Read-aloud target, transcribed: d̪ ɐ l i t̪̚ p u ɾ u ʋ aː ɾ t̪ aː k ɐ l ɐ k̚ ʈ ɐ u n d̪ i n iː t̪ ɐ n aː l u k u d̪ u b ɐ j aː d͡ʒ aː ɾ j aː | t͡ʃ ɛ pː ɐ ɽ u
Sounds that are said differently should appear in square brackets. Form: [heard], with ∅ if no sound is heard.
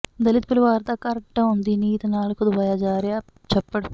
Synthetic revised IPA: d̪ ɐ l i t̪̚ p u [l] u ʋ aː ɾ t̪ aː k ɐ [ɾ] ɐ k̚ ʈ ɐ u n d̪ i n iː t̪ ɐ n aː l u k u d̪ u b ɐ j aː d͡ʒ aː ɾ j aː | t͡ʃ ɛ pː ɐ ɽ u